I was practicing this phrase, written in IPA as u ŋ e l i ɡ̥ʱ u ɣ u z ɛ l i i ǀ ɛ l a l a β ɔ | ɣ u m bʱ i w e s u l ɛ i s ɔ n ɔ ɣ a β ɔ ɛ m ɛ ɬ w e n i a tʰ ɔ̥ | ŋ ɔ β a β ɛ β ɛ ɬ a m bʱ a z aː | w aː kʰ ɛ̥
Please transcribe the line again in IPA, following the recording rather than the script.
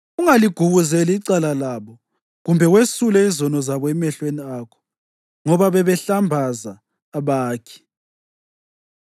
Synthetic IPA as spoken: u ŋ a l i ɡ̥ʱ u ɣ u z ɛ l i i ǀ a l a l a β ɔ | ɣ u m bʱ ɛ w e s u l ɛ i z ɔ n ɔ z a β ɔ ɛ m ɛ ɬ w e n i a kʰ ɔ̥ | ŋ ɔ β a β ɛ β ɛ ɬ a m bʱ a z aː | β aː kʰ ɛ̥